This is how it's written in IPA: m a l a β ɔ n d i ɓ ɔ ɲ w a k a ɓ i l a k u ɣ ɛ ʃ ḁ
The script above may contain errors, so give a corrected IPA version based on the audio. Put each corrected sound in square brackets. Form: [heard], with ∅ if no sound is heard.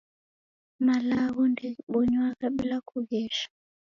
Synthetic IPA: m a l a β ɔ n d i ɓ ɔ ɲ w a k a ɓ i l a k u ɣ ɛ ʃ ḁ